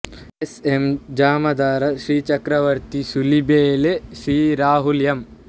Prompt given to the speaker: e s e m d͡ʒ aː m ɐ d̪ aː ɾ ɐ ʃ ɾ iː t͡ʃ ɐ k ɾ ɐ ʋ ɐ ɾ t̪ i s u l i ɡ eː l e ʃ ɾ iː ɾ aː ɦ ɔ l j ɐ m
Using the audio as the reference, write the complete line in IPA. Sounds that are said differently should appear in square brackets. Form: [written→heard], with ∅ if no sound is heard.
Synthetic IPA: e s e m d͡ʒ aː m ɐ d̪ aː ɾ ɐ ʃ ɾ iː t͡ʃ ɐ k ɾ ɐ ʋ ɐ ɾ t̪ i s u l i [ɡ→b] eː l e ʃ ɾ iː ɾ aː ɦ [ɔ→u] l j ɐ m